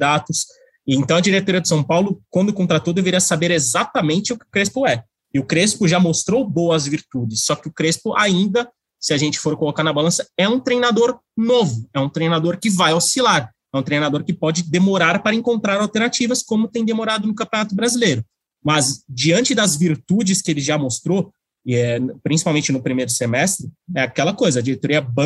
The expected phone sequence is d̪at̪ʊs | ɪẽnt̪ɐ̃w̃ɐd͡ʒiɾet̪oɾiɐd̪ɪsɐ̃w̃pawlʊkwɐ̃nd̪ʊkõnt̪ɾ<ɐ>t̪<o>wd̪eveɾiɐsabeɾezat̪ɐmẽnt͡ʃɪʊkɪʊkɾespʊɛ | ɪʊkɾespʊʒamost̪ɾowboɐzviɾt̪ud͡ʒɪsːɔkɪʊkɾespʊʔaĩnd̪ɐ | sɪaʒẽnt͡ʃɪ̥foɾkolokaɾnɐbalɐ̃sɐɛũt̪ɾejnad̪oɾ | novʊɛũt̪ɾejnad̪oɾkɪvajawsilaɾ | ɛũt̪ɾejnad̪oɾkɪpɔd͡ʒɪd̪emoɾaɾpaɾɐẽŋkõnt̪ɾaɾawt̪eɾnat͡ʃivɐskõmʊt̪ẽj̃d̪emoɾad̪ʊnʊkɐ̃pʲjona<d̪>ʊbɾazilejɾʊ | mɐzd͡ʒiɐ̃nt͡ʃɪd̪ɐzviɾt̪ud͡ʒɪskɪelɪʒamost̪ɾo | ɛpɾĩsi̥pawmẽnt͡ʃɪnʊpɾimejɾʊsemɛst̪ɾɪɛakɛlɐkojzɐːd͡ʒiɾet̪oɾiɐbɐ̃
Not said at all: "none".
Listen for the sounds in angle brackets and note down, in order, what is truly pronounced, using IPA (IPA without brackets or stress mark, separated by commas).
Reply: a, o, t̪